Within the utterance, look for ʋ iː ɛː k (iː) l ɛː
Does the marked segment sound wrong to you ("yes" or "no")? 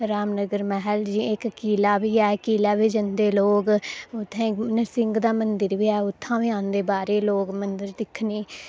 no